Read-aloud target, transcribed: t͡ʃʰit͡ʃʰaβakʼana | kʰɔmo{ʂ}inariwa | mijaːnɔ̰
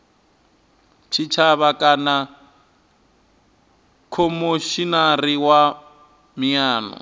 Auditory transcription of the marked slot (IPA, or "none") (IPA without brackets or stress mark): ʃ